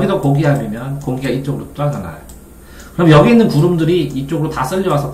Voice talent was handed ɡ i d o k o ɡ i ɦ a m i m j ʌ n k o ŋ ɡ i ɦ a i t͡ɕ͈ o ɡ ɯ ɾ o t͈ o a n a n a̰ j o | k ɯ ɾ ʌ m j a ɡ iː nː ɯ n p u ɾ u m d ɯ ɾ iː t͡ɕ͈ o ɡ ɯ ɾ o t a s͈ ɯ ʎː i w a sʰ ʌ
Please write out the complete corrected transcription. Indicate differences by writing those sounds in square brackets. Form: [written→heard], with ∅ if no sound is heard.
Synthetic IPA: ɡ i d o k o ɡ i ɦ a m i m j ʌ n k o ŋ ɡ i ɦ a i t͡ɕ͈ o ɡ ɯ ɾ o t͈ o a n a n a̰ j o | k ɯ ɾ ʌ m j [a→ʌ] ɡ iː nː ɯ n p u ɾ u m d ɯ ɾ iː t͡ɕ͈ o ɡ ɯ ɾ o t a s͈ ɯ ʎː i w a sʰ ʌ